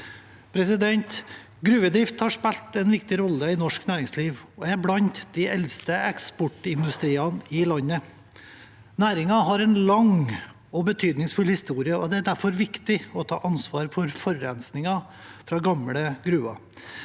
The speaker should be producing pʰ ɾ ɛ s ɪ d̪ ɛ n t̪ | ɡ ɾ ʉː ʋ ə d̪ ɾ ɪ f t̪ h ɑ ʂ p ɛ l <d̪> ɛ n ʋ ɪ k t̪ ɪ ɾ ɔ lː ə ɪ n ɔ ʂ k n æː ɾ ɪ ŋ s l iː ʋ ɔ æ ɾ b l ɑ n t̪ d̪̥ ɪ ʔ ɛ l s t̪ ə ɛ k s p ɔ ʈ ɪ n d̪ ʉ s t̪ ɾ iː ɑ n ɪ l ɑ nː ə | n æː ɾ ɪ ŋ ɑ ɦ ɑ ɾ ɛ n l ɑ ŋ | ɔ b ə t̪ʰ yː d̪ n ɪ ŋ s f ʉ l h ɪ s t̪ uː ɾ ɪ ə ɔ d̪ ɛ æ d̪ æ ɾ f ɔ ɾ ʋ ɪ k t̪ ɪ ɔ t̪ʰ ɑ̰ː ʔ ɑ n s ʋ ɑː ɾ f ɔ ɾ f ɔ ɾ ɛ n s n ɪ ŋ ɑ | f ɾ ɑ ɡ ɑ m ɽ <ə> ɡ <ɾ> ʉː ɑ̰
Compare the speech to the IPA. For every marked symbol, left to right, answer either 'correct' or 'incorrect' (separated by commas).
incorrect, correct, correct